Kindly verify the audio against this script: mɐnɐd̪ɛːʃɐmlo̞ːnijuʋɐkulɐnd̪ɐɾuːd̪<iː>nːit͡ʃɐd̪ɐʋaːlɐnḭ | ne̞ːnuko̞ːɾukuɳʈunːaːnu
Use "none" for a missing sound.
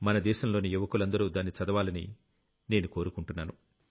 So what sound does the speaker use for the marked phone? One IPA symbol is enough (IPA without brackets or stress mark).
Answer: aː